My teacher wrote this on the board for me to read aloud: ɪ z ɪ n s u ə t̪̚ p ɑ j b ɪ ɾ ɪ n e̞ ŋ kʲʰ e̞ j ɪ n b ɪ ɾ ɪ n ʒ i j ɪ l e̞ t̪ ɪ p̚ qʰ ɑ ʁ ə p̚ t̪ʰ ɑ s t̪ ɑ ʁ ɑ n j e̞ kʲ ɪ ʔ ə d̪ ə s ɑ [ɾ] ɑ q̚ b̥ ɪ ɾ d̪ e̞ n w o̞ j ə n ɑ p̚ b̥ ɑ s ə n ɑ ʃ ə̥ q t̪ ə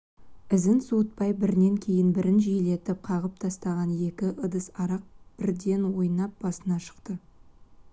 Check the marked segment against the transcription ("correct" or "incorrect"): correct